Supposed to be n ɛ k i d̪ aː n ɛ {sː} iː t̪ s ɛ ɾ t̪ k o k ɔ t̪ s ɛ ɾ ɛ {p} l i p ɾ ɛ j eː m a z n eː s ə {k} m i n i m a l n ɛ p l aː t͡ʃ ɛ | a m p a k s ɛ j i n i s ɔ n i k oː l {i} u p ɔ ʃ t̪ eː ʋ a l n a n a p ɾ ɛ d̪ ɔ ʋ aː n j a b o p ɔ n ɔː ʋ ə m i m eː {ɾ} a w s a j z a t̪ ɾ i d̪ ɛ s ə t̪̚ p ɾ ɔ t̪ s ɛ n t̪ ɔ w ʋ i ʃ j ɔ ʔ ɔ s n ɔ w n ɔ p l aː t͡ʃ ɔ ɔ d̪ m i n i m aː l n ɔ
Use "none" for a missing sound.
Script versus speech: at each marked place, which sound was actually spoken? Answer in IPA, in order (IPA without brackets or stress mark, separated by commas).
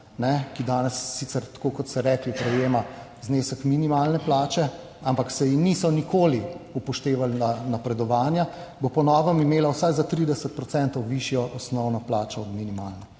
sː, k, k, i, l